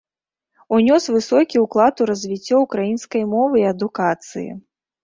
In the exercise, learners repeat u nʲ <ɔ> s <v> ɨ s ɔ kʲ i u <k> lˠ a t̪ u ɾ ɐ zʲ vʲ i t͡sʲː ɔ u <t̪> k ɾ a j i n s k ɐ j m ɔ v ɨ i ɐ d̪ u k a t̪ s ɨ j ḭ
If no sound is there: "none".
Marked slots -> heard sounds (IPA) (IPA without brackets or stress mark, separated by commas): ɔ, v, k, none